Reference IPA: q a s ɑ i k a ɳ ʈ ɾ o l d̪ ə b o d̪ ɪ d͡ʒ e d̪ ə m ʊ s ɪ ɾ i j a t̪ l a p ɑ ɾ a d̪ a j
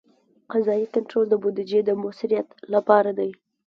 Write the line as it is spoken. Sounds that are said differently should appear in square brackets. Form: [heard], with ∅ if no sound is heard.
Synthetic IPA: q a [z] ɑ i k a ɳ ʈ ɾ o l d̪ ə b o d̪ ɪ d͡ʒ e d̪ ə m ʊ s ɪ ɾ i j a t̪ l a p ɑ ɾ a d̪ a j